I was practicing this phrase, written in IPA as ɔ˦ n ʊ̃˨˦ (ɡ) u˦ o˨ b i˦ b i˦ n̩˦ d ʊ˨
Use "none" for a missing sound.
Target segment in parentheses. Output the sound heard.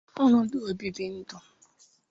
d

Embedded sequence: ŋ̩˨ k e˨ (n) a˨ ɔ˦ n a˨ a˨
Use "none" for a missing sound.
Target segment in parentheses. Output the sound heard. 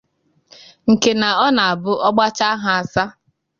n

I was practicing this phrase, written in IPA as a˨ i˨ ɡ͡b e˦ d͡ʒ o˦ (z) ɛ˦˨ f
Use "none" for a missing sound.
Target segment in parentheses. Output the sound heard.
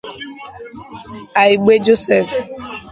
s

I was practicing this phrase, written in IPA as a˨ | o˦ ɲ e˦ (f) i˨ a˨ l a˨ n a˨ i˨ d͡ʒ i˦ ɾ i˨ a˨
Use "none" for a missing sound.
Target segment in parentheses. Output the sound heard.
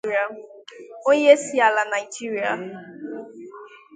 s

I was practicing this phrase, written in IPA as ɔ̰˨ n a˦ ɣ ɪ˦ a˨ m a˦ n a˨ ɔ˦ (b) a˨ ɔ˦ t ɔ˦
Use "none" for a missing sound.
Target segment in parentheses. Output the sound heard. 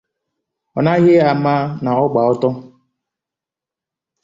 ɡ͡b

